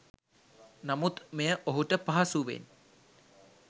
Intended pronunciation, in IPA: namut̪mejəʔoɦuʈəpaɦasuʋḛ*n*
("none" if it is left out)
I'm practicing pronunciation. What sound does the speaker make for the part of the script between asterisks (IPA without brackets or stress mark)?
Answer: n